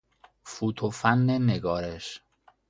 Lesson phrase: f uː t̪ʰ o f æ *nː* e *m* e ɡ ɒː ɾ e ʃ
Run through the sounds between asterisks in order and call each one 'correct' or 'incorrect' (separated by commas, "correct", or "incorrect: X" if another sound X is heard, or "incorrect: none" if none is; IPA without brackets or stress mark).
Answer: correct, incorrect: n